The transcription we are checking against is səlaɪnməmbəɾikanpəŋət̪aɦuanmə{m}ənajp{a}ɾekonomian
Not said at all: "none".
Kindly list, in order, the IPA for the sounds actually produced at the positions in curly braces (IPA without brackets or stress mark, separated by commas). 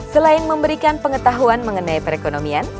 ŋ, ə